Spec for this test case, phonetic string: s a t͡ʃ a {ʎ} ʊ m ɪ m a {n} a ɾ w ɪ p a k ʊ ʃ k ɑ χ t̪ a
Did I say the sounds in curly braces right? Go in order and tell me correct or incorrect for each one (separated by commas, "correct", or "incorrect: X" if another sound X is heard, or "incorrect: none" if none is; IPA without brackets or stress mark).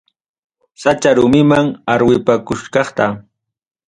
incorrect: ɾ, incorrect: ŋ